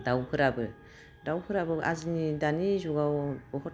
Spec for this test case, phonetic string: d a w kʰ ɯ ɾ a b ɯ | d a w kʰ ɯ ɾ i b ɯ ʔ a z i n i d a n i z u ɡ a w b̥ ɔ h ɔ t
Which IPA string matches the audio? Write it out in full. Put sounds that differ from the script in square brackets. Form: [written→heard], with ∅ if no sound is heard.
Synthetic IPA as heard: d a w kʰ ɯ ɾ a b ɯ | d a w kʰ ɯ ɾ [i→a] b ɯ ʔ a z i n i d a n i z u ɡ a w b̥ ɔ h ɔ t

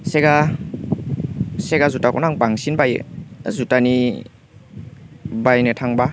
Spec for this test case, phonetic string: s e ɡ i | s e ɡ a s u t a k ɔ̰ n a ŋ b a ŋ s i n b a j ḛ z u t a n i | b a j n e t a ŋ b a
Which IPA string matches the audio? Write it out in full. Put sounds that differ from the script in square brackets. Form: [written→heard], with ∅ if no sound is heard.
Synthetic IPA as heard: s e ɡ [i→a] | s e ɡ a [s→z] u t a k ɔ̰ n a ŋ b a ŋ s i n b a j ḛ z u t a n i | b a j n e [t→tʰ] a ŋ b a

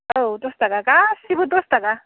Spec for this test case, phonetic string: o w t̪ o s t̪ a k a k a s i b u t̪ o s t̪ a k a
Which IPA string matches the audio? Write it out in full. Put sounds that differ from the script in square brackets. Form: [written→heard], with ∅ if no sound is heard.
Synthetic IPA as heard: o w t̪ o s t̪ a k a k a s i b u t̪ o s t̪ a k a

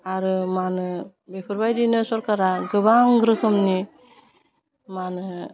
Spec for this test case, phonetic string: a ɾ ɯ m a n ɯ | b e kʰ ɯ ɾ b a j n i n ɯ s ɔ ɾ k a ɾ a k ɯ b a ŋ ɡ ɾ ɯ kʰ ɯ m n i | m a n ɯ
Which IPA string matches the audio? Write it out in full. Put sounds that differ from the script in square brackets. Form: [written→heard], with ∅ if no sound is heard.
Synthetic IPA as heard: a ɾ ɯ m a n ɯ | b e [kʰ→pʰ] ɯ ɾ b a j [n→d] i n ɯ s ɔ ɾ k a ɾ a [k→ɡ] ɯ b a ŋ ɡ ɾ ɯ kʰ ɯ m n i | m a n ɯ

